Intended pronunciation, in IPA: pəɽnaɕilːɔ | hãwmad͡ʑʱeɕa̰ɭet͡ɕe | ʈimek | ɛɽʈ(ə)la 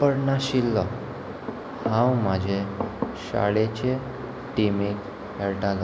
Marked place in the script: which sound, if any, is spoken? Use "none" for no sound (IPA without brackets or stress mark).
a